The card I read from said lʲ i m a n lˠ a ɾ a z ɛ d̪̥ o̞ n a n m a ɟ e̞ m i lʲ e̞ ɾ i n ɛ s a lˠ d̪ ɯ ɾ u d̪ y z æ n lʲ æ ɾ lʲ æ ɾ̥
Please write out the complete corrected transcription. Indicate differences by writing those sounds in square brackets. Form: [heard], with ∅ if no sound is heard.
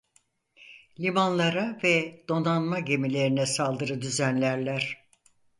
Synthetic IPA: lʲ i m a n lˠ a ɾ a [v] ɛ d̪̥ o̞ n a n m a ɟ e̞ m i lʲ e̞ ɾ i n ɛ s a lˠ d̪ ɯ ɾ [ɯ] d̪ y z æ n lʲ æ ɾ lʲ æ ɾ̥

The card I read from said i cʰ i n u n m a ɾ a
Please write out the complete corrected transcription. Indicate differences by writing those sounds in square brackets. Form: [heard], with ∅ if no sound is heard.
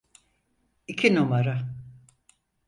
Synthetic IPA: i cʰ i n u [∅] m a ɾ a

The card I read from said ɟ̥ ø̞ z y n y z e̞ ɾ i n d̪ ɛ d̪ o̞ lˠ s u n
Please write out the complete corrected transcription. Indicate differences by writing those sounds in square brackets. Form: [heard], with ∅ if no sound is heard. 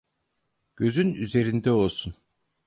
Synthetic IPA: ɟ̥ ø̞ z y n y z e̞ ɾ i n d̪ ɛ [∅] o̞ lˠ s u n

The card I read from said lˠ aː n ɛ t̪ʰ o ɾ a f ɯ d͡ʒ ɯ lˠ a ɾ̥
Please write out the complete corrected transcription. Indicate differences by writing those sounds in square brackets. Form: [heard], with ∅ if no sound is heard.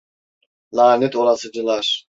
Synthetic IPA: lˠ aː n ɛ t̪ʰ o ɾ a [s] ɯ d͡ʒ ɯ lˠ a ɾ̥

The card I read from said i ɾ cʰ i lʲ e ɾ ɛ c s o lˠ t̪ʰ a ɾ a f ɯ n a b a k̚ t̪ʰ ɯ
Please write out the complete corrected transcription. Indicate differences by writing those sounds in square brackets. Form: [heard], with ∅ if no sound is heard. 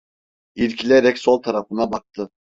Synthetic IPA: i ɾ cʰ i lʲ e ɾ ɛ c s o lˠ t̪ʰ a ɾ a f ɯ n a b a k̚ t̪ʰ ɯ

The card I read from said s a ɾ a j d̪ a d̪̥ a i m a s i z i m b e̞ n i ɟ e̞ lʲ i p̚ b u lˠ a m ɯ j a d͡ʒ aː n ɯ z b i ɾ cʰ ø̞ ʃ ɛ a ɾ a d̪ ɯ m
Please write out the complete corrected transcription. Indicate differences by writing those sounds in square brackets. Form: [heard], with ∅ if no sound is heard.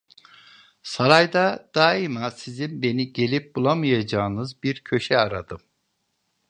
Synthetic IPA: s a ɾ a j d̪ a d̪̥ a i m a s i z i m b e̞ n i ɟ e̞ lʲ i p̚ b u lˠ a m ɯ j a d͡ʒ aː n ɯ z b i ɾ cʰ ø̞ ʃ ɛ a ɾ a d̪ ɯ m

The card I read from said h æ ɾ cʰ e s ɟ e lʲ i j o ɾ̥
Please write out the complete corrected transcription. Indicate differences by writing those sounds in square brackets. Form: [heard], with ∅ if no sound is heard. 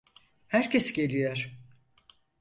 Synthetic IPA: h æ ɾ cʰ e s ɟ e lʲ i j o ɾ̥

